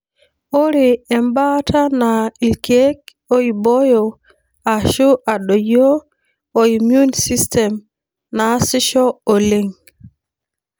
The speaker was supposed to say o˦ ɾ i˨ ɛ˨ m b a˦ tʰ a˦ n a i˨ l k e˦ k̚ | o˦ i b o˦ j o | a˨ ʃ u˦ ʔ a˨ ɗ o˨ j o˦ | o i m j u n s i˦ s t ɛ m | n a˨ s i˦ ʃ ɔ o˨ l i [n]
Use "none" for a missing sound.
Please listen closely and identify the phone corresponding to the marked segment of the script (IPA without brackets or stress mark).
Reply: ŋ